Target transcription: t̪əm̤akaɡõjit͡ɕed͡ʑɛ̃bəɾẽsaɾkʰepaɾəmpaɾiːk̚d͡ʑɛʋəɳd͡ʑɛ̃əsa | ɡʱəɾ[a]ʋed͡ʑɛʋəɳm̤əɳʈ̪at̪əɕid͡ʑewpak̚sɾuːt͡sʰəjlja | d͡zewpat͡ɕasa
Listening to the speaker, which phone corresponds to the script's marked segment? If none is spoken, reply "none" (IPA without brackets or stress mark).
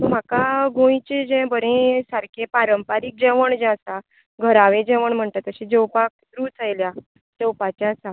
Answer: a